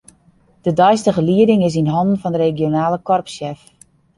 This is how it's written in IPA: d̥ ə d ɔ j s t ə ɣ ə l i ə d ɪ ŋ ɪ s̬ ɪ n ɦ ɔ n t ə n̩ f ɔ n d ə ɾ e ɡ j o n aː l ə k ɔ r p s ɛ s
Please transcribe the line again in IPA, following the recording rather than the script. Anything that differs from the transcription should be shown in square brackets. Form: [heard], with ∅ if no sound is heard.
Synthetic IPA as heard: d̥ ə d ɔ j s t ə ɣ ə l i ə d ɪ ŋ ɪ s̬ [i] n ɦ ɔ n [d] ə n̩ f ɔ n d ə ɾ e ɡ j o n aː l ə k ɔ r p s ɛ [f]